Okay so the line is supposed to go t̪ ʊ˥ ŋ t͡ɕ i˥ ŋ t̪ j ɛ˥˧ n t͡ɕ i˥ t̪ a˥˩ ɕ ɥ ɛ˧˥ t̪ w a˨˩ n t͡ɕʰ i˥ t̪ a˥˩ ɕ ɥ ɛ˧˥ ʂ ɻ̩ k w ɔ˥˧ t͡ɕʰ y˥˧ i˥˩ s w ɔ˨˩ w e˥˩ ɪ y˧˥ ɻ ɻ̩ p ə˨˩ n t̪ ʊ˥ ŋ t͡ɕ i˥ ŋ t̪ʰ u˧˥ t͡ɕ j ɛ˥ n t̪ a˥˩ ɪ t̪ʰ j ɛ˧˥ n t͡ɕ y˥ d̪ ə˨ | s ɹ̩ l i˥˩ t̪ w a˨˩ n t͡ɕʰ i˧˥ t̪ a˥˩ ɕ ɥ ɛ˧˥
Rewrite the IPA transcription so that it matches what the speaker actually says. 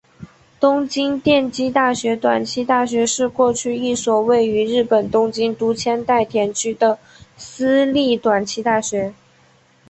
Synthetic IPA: t̪ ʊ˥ ŋ t͡ɕ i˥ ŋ t̪ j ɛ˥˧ n t͡ɕ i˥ t̪ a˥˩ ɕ ɥ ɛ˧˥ t̪ w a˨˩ n t͡ɕʰ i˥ t̪ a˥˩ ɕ ɥ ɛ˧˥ ʂ ɻ̩ k w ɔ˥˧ t͡ɕʰ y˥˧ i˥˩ s w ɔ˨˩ w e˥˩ ɪ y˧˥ ɻ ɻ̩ p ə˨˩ n t̪ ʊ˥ ŋ t͡ɕ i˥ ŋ t̪ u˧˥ t͡ɕʰ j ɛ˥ n t̪ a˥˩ ɪ t̪ʰ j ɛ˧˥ n t͡ɕʰ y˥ d̪ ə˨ | s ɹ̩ l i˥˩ t̪ w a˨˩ n t͡ɕʰ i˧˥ t̪ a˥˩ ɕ ɥ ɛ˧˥